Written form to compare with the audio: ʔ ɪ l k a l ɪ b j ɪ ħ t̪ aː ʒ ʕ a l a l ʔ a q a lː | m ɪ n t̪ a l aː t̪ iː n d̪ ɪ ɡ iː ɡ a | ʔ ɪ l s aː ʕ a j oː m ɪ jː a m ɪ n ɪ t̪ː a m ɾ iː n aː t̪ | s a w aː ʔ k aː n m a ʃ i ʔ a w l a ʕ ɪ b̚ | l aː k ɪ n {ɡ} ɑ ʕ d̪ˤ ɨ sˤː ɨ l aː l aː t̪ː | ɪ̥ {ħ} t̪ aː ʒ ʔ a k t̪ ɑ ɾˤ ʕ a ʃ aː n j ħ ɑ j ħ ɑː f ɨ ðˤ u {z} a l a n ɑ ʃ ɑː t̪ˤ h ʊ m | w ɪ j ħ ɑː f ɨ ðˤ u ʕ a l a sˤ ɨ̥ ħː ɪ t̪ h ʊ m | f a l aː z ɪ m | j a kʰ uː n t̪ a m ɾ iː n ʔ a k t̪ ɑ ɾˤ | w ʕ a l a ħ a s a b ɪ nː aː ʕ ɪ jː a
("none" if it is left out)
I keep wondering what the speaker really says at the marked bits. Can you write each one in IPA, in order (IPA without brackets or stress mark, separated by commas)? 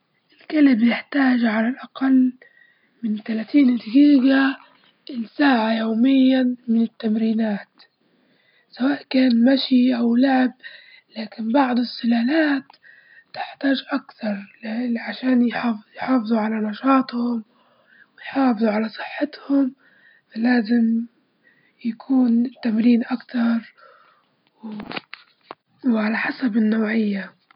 b, ħ, ʕ